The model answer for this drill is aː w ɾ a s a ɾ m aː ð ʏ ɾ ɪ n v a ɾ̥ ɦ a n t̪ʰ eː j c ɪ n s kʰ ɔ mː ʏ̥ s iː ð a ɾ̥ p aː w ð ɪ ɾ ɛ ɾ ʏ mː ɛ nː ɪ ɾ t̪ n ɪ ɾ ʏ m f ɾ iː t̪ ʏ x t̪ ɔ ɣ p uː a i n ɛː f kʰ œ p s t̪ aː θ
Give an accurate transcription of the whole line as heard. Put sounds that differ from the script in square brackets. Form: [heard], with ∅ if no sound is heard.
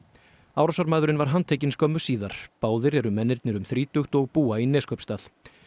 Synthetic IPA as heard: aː w ɾ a s a ɾ m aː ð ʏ ɾ ɪ n v a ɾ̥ ɦ a n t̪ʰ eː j c ɪ n s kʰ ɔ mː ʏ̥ s iː ð a ɾ̥ p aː w ð ɪ ɾ ɛ ɾ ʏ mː ɛ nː ɪ ɾ t̪ n ɪ ɾ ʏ m [θ] ɾ iː t̪ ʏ x t̪ ɔ ɣ p uː a i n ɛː [s] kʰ œ p s t̪ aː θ